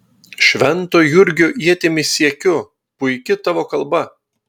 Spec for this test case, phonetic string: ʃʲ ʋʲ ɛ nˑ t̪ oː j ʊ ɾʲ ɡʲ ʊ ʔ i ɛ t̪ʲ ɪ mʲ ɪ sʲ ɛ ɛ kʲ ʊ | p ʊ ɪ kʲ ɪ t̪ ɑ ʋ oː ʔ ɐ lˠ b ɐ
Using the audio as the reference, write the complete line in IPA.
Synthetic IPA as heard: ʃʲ ʋʲ ɛ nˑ t̪ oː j ʊ ɾʲ ɡʲ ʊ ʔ i ɛ t̪ʲ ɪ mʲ ɪ sʲ i ɛ kʲ ʊ | p ʊ ɪ kʲ ɪ t̪ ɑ ʋ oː k ɐ lˠ b ɐ